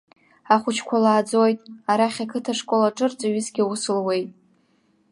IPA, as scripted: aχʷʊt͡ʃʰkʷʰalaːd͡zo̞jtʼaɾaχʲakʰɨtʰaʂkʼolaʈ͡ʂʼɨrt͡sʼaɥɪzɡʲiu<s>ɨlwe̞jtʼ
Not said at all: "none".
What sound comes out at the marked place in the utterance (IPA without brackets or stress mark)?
s